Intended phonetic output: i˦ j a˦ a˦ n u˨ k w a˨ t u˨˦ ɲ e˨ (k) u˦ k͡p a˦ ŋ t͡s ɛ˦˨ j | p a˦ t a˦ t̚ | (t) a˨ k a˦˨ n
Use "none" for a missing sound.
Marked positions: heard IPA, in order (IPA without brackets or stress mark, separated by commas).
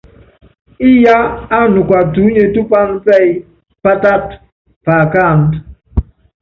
t, p